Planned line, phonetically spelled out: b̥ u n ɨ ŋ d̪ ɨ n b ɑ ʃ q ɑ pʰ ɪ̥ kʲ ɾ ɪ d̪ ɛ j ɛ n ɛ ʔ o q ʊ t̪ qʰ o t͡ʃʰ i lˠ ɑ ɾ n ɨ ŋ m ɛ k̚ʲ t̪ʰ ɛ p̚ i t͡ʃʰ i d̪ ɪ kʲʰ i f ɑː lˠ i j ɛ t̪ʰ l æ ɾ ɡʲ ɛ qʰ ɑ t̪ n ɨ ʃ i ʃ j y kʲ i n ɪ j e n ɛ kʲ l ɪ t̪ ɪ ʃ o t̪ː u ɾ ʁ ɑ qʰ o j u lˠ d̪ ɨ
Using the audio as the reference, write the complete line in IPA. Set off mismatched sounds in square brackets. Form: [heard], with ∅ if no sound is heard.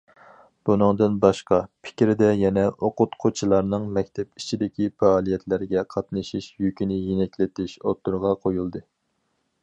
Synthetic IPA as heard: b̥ u n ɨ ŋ d̪ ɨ n b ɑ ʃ q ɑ pʰ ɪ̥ kʲ ɾ ɪ d̪ ɛ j ɛ n ɛ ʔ o q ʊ t̪ qʰ o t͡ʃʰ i lˠ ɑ ɾ n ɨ ŋ m ɛ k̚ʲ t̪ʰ ɛ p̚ i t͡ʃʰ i d̪ ɪ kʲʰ i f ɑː lˠ i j ɛ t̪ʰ l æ ɾ ɡʲ ɛ qʰ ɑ t̪ n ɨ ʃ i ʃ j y kʲ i n ɪ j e n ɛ kʲ l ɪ t̪ ɪ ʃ o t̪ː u ɾ ʁ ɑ qʰ o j u lˠ d̪ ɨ